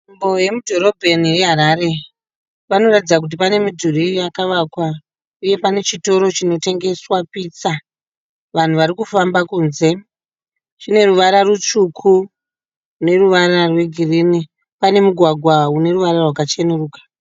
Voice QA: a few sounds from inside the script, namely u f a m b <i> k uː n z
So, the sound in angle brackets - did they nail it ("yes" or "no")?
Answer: no